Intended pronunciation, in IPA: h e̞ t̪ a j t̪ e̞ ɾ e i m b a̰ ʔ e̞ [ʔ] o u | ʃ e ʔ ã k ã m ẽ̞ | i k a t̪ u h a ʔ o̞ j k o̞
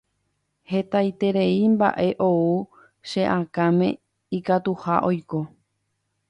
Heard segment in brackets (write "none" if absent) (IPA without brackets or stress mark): ʔ